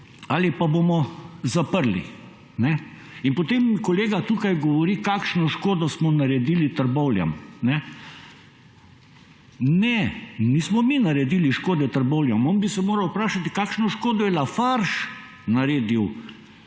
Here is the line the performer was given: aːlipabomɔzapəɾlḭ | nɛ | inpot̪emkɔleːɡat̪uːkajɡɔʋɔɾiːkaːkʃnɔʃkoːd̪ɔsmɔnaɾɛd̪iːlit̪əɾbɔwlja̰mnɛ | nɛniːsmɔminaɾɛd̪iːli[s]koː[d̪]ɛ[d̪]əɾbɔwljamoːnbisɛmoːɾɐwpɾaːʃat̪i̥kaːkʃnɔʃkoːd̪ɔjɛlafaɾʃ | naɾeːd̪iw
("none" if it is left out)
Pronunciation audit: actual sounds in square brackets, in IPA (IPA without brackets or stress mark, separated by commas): ʃ, d̪, t̪